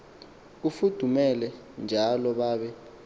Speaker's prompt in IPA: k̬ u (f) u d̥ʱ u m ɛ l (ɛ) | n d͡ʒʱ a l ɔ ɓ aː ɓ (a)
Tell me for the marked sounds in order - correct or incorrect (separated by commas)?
correct, correct, incorrect